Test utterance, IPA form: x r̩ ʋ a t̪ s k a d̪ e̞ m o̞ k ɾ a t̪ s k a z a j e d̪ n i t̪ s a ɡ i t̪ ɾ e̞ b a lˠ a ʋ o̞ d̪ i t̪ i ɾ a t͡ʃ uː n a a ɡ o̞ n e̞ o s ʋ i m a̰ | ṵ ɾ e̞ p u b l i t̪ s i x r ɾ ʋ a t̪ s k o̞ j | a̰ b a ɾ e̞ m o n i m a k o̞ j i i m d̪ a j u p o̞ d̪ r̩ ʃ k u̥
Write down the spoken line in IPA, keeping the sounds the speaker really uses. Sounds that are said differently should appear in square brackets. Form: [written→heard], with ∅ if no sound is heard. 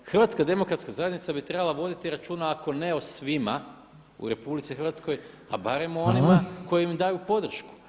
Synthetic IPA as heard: x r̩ ʋ a t̪ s k a d̪ e̞ m o̞ k ɾ a t̪ s k a z a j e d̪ n i t̪ s a [ɡ→b] i t̪ ɾ e̞ b a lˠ a ʋ o̞ d̪ i t̪ i ɾ a t͡ʃ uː n a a [ɡ→k] o̞ n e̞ o s ʋ i m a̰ | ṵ ɾ e̞ p u b l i t̪ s i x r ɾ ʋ a t̪ s k o̞ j | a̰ b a ɾ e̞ m o n i m a k o̞ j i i m d̪ a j u p o̞ d̪ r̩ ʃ k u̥

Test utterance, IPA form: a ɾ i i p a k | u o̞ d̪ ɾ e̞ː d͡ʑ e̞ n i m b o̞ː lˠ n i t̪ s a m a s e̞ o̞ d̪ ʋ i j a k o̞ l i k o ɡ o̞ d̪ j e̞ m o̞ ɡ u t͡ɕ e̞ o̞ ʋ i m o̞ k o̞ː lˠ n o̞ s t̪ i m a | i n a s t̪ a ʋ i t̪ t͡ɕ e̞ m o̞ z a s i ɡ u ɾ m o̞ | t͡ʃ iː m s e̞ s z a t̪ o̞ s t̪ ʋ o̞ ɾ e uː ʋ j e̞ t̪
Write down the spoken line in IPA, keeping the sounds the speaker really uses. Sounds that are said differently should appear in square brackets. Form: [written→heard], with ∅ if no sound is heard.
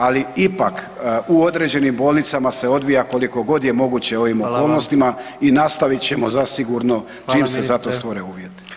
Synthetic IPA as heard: a [ɾ→l] i i p a k | u o̞ d̪ ɾ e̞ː d͡ʑ e̞ n i m b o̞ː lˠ n i t̪ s a m a s e̞ o̞ d̪ ʋ i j a k o̞ l i k o ɡ o̞ d̪ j e̞ m o̞ ɡ u t͡ɕ e̞ o̞ ʋ i m o̞ k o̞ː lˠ n o̞ s t̪ i m a | i n a s t̪ a ʋ i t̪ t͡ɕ e̞ m o̞ z a s i ɡ u ɾ [m→n] o̞ | t͡ʃ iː m s e̞ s z a t̪ o̞ s t̪ ʋ o̞ ɾ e uː ʋ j e̞ t̪

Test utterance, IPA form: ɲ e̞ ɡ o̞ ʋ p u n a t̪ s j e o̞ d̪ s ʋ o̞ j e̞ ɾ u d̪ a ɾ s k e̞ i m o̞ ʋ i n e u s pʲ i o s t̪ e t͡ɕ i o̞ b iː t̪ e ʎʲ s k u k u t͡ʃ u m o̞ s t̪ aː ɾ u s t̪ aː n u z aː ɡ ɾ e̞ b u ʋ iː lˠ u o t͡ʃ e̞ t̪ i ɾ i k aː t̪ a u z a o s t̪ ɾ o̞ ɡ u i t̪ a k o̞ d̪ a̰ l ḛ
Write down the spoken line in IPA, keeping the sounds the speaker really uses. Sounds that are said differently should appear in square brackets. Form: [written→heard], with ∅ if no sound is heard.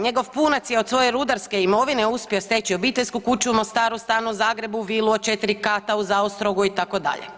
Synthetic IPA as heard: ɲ e̞ ɡ o̞ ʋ p u n a t̪ s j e o̞ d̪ s ʋ o̞ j e̞ ɾ u d̪ a ɾ s k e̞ i m o̞ ʋ i n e u s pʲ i o s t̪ e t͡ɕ i o̞ b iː t̪ e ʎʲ s k u k u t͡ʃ u m o̞ s t̪ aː ɾ u s t̪ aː n u z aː ɡ ɾ e̞ b u ʋ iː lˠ u o t͡ʃ e̞ t̪ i ɾ i k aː t̪ a u z a o s t̪ ɾ o̞ ɡ u i t̪ a k o̞ d̪ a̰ [l→ʎ] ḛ

